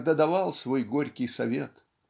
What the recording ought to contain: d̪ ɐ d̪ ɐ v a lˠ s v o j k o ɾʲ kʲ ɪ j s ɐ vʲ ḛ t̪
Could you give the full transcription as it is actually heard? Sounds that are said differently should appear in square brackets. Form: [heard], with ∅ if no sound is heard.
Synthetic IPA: d̪ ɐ d̪ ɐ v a lˠ s v o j [ɡ] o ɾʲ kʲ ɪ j s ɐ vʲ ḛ t̪